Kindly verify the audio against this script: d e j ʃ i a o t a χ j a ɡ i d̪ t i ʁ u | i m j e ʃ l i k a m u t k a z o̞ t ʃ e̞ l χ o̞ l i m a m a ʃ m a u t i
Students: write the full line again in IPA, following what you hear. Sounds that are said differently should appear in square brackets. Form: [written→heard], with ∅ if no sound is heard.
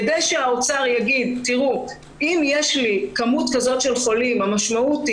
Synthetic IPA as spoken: d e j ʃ [i→e] a o [t→t͡s] a [χ→ʁ] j a ɡ i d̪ t i ʁ u | i m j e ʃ l i k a m u t k a z o̞ t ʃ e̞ l χ o̞ l i m a m a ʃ m a u t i